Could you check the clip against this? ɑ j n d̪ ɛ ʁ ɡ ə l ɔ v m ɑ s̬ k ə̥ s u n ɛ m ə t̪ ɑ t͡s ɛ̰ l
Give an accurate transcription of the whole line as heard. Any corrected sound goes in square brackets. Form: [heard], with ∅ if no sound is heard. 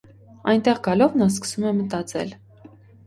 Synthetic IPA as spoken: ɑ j n [t̪] ɛ ʁ ɡ [ɑ] l ɔ v [n] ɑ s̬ k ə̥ s u [m] ɛ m ə t̪ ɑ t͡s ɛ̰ l